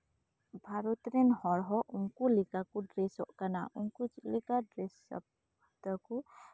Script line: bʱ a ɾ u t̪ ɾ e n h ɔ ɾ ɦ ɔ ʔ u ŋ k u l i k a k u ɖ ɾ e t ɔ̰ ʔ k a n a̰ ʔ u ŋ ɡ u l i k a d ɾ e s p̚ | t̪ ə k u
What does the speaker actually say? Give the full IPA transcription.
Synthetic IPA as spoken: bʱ a ɾ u t̪ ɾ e n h ɔ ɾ ɦ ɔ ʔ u ŋ k u l i k a k u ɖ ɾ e s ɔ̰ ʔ k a n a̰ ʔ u ŋ k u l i k a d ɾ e s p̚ | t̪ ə k u